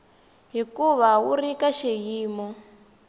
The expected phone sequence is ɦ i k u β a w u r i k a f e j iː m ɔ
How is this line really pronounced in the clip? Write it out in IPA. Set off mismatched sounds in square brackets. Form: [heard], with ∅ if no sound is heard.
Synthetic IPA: ɦ i k u β a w u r i k a [ʃ] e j iː m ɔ